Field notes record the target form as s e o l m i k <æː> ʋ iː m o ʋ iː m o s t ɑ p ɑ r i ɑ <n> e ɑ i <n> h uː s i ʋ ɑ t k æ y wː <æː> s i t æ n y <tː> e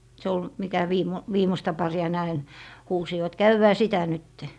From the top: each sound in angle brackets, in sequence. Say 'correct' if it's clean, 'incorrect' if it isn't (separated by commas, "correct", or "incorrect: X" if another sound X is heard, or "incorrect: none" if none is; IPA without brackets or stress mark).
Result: incorrect: æ, correct, correct, correct, correct